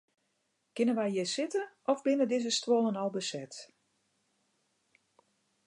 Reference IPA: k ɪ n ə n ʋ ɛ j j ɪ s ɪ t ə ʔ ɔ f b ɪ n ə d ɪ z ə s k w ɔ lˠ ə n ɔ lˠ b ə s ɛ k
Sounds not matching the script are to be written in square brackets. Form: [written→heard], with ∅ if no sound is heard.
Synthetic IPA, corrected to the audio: k ɪ n ə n ʋ ɛ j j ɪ s ɪ t ə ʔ ɔ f b ɪ n ə d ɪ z ə s [k→t] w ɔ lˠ ə n ɔ lˠ b ə s ɛ [k→t]